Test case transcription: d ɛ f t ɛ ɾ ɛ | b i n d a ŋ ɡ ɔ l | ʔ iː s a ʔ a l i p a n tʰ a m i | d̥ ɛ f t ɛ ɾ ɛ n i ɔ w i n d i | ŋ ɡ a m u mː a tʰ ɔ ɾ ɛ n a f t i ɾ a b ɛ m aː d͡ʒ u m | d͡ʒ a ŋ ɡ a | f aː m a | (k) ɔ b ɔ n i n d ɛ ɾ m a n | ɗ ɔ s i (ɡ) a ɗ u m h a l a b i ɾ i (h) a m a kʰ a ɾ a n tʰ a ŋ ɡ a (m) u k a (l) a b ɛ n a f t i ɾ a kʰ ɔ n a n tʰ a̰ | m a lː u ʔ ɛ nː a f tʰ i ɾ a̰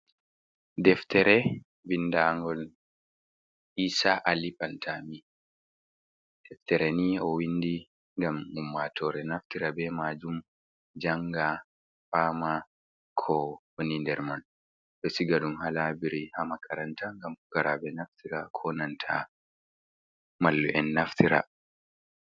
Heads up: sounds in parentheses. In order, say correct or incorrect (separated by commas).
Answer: incorrect, correct, correct, correct, incorrect